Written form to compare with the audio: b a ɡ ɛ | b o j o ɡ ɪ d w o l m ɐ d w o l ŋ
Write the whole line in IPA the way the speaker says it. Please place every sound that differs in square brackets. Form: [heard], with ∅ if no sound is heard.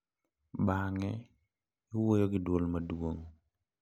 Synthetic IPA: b a [ŋ] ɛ | [w] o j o ɡ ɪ d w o l m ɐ d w o [∅] ŋ

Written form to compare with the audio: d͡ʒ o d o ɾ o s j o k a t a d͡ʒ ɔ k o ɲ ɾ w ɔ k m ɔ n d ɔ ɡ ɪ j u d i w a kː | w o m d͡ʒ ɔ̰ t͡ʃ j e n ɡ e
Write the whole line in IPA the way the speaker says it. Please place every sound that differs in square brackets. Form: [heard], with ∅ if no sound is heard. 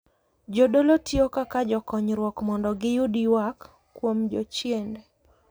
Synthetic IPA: d͡ʒ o d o [l] o [t] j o k a [k] a d͡ʒ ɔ k [ɔ] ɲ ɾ w ɔ k m ɔ n d ɔ ɡ ɪ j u d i w a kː | w o m d͡ʒ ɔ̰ t͡ʃ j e n [d] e

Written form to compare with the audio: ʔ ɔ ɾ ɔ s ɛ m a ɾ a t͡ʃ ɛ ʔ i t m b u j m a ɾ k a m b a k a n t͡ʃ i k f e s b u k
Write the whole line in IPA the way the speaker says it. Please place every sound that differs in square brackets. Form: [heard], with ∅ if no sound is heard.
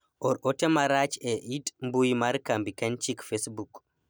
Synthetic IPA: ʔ ɔ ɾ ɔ [t] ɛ m a ɾ a t͡ʃ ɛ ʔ i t m b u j m a ɾ k a m b [i] k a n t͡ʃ i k f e s b u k

